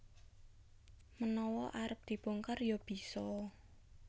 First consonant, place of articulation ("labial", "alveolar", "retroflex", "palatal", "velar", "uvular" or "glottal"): labial